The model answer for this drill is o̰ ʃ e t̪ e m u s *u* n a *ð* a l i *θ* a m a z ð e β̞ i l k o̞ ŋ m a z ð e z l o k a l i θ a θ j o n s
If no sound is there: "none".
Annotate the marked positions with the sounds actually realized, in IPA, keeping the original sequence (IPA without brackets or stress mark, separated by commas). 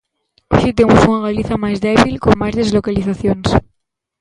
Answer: u, ɣ, θ